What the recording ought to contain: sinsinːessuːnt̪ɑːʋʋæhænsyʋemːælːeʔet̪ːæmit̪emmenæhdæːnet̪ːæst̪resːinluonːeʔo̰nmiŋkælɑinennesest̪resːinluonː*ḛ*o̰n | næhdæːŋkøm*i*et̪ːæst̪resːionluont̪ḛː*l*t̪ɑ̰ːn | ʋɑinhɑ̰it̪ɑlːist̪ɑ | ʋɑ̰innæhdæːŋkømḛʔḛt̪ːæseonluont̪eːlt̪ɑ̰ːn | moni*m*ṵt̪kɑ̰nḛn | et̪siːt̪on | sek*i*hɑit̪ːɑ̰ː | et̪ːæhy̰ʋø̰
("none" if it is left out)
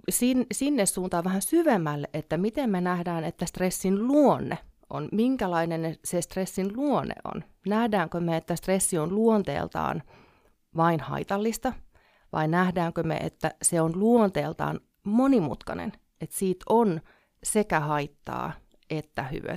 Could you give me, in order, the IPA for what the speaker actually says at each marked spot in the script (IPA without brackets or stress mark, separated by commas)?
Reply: ḛ, e, l, m, æ